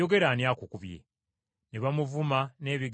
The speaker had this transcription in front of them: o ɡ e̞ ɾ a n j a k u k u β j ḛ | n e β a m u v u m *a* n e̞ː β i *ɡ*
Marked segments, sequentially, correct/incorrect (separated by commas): correct, correct